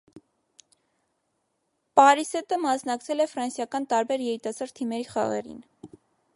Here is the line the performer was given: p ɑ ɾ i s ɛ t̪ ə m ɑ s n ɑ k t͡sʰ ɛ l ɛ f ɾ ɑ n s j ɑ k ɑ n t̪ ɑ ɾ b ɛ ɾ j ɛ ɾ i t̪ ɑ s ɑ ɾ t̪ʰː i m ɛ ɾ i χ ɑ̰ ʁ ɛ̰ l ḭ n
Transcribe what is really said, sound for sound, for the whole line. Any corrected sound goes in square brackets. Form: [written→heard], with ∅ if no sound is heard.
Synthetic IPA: p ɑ ɾ i s ɛ t̪ ə m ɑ s n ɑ k t͡sʰ ɛ l ɛ f ɾ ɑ n s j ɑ k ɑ n t̪ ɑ ɾ b ɛ ɾ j ɛ ɾ i t̪ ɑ s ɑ ɾ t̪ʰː i m ɛ ɾ i χ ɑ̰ ʁ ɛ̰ [l→ɾ] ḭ n

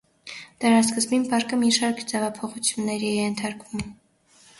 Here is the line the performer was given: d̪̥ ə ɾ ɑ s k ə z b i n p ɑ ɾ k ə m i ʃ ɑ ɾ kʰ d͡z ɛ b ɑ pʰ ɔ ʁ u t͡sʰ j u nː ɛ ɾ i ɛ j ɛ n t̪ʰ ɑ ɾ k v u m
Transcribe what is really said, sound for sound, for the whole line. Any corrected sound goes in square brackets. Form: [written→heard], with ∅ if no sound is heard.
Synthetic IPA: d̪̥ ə ɾ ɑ s k ə z b i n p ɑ ɾ k ə m i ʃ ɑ ɾ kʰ d͡z ɛ [b→v] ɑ pʰ ɔ [ʁ→χ] u t͡sʰ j u nː ɛ ɾ i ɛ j ɛ n t̪ʰ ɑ ɾ k v u m

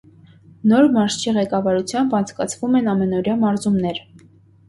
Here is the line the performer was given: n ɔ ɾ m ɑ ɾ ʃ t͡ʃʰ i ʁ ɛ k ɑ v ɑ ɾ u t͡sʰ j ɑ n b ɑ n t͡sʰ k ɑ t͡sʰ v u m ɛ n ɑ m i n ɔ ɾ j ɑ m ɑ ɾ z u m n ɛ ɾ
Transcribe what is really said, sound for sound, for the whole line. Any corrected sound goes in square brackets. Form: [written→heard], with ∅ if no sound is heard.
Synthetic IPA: n ɔ ɾ m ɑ ɾ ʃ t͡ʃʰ i ʁ ɛ k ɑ v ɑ ɾ u t͡sʰ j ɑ [n→m] b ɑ n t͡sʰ k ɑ t͡sʰ v u m ɛ n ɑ m [i→ɛ] n ɔ ɾ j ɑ m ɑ ɾ z u m n ɛ ɾ

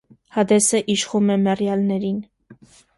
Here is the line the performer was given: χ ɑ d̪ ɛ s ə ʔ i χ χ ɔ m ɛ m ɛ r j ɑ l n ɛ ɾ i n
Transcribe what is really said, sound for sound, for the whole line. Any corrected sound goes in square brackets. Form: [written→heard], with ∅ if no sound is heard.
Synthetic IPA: [χ→h] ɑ d̪ ɛ s ə ʔ i [χ→ʃ] χ [ɔ→u] m ɛ m ɛ r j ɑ l n ɛ ɾ i n

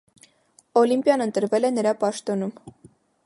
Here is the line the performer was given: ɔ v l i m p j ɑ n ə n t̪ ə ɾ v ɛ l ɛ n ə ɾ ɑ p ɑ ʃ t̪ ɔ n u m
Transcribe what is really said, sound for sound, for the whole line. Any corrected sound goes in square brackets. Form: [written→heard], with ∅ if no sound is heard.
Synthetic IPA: ɔ [v→∅] l i m p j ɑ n ə n t̪ ə ɾ v ɛ l ɛ n ə ɾ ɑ p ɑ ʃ t̪ ɔ n u m

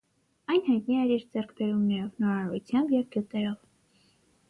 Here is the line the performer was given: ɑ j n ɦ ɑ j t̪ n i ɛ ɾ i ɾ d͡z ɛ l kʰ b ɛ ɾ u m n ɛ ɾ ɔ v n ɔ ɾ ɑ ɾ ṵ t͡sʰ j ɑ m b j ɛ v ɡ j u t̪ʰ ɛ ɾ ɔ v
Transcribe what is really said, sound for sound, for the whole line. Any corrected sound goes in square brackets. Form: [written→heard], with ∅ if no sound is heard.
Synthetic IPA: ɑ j n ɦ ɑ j t̪ n i ɛ ɾ i ɾ d͡z ɛ [l→r] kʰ b ɛ ɾ u m n ɛ ɾ ɔ v n ɔ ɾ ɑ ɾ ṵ t͡sʰ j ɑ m b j ɛ v ɡ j u [t̪ʰ→t̪] ɛ ɾ ɔ v

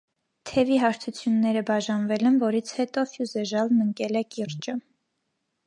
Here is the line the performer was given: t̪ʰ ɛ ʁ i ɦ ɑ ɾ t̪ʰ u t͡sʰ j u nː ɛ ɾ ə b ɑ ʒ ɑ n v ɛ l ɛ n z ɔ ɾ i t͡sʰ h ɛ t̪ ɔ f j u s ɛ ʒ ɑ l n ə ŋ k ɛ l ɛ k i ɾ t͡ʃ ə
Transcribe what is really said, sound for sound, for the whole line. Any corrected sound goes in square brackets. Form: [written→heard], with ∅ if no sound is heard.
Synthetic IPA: t̪ʰ ɛ [ʁ→v] i ɦ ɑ ɾ t̪ʰ u t͡sʰ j u nː ɛ ɾ ə b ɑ ʒ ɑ n v ɛ l ɛ n [z→v] ɔ ɾ i t͡sʰ h ɛ t̪ ɔ f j u [s→z] ɛ ʒ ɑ l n ə ŋ k ɛ l ɛ k i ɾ t͡ʃ ə

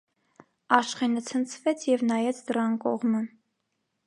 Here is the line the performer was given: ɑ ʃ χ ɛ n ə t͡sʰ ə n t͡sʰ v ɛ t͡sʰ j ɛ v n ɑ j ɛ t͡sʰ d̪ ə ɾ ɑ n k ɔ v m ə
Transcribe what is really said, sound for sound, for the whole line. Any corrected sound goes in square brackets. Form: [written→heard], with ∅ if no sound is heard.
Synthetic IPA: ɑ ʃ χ ɛ n ə t͡sʰ ə n t͡sʰ v ɛ t͡sʰ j ɛ v n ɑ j ɛ t͡sʰ d̪ ə ɾ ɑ n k ɔ [v→ʁ] m ə

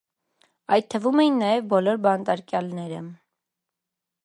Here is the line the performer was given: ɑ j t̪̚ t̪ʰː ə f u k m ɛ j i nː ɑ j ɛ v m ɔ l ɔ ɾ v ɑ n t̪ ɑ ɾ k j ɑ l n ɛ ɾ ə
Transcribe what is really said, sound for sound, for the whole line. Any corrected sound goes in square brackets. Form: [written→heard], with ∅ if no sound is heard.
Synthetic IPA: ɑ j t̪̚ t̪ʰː ə [f→v] u [k→∅] m ɛ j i nː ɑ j ɛ v [m→b] ɔ l ɔ ɾ [v→b] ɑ n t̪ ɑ ɾ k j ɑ l n ɛ ɾ ə

